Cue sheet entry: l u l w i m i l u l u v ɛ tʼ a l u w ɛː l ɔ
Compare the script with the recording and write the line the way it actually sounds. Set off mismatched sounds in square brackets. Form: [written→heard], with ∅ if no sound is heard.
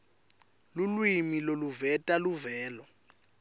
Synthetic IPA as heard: l u l w i m i l [u→o] l u v ɛ tʼ a l u [w→v] ɛː l ɔ